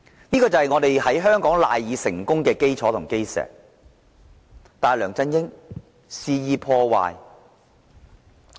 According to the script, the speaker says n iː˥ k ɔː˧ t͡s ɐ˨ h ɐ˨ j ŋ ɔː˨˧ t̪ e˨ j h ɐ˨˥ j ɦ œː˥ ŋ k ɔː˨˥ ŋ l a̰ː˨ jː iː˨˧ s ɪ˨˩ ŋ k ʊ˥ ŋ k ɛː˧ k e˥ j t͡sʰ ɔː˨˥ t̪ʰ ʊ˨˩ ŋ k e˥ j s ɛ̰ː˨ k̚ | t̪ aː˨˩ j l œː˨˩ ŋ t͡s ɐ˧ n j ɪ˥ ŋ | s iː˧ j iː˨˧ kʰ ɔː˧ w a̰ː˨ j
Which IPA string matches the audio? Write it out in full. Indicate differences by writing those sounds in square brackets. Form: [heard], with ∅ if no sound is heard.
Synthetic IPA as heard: n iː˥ k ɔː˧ t͡s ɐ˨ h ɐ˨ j ŋ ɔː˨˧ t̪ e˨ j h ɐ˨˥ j ɦ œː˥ ŋ k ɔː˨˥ ŋ l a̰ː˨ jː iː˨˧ s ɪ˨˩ ŋ k ʊ˥ ŋ k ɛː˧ k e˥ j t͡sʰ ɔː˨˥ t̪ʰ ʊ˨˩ ŋ k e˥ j s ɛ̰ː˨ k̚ | t̪ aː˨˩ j l œː˨˩ ŋ t͡s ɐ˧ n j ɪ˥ ŋ | s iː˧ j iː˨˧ [pʰ] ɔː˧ w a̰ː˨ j